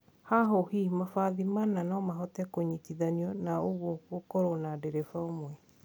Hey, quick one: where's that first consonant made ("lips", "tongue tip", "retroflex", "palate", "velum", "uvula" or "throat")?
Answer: throat